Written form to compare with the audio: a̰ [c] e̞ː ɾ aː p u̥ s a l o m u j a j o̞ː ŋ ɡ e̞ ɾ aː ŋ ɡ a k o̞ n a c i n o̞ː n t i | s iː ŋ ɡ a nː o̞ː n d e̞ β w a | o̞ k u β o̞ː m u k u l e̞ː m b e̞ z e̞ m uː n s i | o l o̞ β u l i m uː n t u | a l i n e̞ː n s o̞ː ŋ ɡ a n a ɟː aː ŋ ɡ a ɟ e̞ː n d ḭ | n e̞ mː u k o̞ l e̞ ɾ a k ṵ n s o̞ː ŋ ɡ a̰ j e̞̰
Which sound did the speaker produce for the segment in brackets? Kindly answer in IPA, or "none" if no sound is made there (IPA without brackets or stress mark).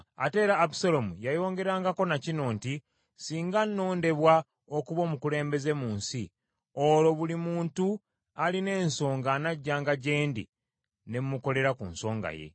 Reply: t